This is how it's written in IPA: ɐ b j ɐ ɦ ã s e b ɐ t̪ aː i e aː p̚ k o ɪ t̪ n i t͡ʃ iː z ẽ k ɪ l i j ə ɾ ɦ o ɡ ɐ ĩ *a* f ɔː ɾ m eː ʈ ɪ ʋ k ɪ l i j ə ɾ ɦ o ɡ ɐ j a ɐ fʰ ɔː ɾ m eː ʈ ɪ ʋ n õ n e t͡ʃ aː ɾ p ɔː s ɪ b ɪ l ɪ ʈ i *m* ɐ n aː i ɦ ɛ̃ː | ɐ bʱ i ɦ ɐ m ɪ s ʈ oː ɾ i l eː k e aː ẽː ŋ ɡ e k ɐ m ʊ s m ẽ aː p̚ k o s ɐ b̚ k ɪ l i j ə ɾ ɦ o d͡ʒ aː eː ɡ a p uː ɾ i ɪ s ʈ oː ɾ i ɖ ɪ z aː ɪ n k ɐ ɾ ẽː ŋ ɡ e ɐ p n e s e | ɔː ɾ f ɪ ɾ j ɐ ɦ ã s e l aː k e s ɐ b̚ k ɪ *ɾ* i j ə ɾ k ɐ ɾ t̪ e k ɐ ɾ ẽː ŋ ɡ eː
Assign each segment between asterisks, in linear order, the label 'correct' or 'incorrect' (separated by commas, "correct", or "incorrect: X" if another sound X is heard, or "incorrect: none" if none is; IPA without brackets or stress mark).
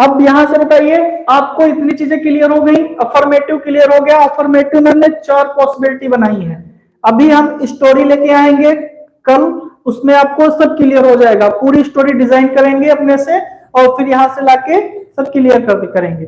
incorrect: ɐ, incorrect: b, incorrect: l